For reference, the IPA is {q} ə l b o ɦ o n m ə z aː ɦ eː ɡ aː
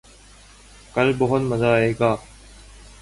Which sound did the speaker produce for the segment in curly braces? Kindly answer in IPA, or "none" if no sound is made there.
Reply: k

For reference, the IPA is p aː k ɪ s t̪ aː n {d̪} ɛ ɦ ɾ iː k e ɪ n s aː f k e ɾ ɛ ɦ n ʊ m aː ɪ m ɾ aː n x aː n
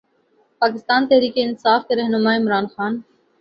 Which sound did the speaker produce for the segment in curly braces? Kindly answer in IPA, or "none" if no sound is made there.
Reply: t̪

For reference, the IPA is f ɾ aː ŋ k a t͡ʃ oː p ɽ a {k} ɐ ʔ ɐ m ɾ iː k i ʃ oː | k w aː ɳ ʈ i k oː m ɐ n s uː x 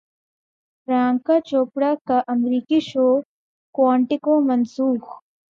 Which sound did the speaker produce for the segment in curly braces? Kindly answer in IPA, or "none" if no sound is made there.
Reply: k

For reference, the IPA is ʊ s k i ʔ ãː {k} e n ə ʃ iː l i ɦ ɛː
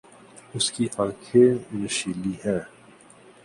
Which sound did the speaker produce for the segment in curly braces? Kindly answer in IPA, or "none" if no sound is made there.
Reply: kʰ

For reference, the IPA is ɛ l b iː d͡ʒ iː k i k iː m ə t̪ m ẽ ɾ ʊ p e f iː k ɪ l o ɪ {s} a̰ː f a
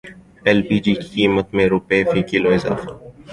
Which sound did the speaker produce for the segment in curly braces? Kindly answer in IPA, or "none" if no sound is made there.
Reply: z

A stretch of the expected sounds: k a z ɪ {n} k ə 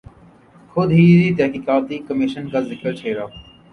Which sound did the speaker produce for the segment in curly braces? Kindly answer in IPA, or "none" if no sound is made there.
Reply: none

